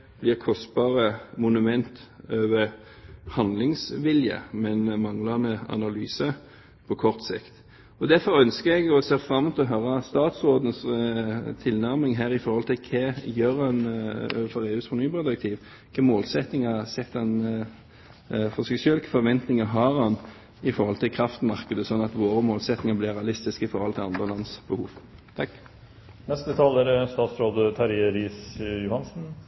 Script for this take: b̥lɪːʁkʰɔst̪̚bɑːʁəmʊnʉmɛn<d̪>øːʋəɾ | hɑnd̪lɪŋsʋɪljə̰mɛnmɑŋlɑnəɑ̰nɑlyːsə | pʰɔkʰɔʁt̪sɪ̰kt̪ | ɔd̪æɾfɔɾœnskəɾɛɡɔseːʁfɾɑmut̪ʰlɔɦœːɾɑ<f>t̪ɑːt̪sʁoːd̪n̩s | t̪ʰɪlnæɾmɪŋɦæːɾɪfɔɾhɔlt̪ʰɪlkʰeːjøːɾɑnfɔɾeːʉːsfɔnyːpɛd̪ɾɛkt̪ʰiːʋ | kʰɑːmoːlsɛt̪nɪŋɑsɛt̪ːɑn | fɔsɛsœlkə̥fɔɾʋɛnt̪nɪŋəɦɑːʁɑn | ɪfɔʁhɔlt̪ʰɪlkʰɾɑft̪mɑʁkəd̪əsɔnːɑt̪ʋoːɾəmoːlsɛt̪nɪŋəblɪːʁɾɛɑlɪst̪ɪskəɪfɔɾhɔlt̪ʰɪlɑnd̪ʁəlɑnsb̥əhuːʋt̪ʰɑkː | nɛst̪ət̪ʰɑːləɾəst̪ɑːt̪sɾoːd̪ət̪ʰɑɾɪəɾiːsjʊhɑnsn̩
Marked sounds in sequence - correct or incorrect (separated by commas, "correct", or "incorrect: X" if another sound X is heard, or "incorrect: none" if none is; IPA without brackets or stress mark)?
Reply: incorrect: t̪, incorrect: s